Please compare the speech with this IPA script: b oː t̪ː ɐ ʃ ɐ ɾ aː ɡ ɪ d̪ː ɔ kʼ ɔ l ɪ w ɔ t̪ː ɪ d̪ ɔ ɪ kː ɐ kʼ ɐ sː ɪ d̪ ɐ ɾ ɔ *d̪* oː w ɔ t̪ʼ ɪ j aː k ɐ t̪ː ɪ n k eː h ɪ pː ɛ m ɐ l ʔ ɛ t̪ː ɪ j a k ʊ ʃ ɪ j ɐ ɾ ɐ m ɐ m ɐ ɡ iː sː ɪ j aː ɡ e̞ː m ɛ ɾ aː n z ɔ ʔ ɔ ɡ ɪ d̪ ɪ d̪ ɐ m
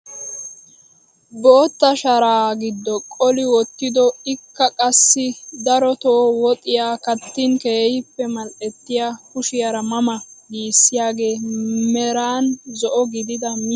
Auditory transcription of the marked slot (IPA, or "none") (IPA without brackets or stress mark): t̪